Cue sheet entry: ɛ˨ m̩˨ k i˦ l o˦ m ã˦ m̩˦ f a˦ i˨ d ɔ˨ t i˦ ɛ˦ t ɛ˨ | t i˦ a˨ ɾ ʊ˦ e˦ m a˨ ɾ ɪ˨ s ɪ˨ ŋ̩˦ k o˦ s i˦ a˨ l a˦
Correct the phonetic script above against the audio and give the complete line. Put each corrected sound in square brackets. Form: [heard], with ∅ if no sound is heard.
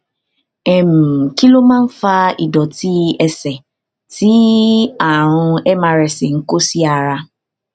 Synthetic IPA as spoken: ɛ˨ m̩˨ k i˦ l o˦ m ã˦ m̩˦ f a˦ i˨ d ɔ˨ t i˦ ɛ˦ [s] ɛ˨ | t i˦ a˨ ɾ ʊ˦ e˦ m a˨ ɾ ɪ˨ s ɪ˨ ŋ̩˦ k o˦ s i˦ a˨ [ɾ] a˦